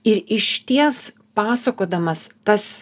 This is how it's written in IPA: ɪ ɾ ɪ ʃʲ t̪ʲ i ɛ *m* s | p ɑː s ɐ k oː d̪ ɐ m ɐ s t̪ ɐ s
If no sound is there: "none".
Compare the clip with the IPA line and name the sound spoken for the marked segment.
none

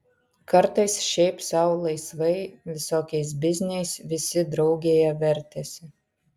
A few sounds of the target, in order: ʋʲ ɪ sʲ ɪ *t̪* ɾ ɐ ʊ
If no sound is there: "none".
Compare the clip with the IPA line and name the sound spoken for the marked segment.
d̪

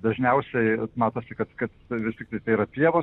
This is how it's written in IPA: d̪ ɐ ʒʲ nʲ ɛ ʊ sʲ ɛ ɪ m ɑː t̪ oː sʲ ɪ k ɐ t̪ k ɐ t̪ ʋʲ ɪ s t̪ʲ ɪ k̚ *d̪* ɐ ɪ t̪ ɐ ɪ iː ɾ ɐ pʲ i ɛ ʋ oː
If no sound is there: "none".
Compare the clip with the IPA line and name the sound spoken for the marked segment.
t̪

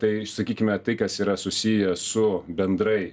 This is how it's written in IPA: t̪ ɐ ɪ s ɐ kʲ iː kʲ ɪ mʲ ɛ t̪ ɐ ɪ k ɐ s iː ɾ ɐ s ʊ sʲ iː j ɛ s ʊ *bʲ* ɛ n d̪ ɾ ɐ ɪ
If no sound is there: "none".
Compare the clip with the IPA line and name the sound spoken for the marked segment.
bʲ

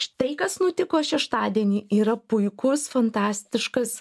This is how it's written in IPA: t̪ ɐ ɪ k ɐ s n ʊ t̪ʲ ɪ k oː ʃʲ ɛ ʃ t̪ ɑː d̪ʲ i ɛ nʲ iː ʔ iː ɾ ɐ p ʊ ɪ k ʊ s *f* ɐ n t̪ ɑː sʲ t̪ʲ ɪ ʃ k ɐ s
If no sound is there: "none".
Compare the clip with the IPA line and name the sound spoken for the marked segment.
f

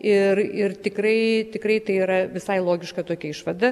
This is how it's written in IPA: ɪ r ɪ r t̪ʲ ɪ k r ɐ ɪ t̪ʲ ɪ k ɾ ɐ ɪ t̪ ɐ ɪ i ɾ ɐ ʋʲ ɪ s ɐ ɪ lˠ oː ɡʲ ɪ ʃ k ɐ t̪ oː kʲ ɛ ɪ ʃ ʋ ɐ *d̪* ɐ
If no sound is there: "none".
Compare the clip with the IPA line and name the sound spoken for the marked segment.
d̪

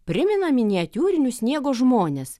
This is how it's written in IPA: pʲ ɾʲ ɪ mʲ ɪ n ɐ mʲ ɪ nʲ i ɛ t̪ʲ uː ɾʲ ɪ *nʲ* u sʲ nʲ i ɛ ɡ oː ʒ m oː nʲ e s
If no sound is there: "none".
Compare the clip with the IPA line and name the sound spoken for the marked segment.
nʲ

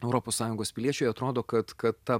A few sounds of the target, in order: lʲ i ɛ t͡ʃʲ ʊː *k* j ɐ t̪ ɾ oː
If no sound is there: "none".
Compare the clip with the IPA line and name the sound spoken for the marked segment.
none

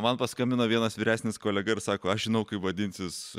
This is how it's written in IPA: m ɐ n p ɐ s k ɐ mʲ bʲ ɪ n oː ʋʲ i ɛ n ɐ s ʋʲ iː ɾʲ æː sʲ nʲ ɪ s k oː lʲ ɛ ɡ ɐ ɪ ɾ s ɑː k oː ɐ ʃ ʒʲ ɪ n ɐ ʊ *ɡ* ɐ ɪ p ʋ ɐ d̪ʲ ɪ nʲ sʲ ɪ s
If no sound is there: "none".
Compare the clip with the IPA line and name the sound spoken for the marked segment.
k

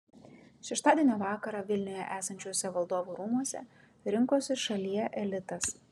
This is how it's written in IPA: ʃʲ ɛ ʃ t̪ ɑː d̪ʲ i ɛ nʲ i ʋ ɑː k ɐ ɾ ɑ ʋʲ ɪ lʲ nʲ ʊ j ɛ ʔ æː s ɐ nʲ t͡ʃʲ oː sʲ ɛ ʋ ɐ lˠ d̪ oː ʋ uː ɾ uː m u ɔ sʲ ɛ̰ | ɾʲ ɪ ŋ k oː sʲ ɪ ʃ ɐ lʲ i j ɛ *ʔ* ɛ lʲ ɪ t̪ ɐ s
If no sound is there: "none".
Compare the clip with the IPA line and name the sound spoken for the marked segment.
ʔ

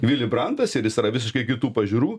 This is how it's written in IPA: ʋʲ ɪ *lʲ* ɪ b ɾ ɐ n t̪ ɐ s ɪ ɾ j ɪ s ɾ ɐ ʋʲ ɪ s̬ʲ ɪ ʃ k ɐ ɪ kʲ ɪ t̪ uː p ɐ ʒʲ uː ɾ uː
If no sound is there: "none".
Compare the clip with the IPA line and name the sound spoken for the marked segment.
lʲ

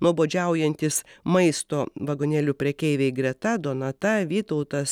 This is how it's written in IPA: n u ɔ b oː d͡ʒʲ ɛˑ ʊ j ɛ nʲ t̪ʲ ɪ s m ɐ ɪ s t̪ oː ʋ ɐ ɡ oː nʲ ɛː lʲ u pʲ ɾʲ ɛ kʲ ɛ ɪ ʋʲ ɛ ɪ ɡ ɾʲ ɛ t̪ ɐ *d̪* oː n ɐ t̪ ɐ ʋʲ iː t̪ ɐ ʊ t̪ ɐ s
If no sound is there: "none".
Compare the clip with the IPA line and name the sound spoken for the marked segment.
d̪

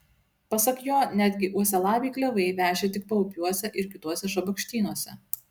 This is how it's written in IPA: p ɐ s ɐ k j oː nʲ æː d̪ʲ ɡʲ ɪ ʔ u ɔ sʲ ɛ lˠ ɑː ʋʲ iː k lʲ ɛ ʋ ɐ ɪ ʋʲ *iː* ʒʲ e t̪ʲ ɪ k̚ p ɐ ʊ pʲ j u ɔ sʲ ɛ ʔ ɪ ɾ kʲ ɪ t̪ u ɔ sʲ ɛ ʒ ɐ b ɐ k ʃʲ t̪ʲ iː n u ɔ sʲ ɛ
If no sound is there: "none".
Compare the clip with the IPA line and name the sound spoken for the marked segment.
æː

